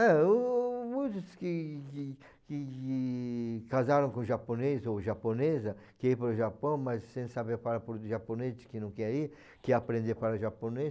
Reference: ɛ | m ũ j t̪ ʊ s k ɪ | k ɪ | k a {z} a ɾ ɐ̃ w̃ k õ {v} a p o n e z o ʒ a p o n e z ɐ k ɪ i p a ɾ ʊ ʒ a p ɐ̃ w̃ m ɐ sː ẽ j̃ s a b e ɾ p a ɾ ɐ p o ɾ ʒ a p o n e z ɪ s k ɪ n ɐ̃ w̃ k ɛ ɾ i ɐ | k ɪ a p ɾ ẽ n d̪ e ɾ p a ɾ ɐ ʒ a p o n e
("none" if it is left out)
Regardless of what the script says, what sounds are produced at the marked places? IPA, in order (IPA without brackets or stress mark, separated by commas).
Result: z, ʒ